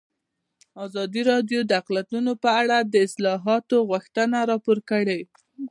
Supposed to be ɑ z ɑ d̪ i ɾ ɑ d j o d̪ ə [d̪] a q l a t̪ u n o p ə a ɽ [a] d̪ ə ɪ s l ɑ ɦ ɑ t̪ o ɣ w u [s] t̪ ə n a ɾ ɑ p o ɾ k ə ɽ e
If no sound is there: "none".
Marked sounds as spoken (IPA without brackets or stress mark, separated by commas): none, a, x